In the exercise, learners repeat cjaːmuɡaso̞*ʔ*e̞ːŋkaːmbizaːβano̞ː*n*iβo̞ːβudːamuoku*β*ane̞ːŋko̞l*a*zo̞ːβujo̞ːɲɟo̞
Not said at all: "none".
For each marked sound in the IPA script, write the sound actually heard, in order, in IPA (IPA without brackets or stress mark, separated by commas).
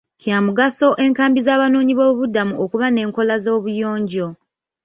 ʔ, ɲ, β, a